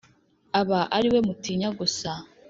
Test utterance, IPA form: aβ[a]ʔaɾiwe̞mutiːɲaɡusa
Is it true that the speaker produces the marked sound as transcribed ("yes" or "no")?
yes